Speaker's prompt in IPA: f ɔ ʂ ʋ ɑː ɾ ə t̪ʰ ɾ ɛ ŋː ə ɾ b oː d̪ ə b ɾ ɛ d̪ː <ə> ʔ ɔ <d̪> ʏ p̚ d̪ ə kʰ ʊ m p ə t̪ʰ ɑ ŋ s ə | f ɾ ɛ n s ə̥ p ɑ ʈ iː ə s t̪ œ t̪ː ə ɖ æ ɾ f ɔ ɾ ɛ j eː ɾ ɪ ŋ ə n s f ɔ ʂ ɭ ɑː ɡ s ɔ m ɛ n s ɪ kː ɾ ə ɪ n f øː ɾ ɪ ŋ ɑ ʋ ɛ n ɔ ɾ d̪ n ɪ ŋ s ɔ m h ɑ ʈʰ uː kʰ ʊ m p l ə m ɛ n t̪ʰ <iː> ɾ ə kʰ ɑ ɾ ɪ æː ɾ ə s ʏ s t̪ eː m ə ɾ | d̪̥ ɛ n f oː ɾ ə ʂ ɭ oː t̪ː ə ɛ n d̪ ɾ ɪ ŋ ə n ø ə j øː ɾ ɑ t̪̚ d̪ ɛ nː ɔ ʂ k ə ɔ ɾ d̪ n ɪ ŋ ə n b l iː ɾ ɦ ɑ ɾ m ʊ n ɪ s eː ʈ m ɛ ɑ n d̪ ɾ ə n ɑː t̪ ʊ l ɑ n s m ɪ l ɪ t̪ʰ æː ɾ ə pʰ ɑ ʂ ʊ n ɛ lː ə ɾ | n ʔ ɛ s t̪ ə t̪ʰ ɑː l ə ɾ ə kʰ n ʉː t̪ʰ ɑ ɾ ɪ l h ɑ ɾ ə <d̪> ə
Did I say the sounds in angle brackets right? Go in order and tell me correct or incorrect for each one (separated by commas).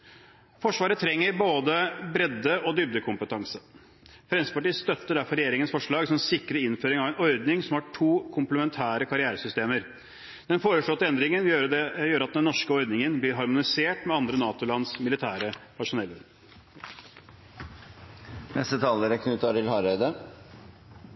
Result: correct, correct, incorrect, correct